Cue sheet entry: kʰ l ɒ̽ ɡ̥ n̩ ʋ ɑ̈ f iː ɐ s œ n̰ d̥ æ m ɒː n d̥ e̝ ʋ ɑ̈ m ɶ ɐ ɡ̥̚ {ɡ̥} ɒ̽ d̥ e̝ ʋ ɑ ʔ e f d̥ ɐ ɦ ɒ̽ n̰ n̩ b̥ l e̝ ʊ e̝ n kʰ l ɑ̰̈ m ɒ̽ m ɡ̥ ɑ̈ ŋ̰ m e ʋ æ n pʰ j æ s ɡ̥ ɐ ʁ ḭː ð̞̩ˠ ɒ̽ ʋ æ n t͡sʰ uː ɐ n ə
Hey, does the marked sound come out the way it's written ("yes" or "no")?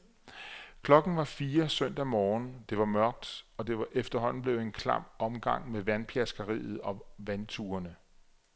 no